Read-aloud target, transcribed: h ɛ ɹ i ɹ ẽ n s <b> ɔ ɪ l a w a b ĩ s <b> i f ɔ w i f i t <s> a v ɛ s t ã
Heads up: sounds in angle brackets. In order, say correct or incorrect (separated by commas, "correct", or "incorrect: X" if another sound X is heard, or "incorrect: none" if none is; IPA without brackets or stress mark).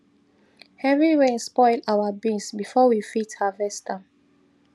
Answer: incorrect: p, correct, incorrect: h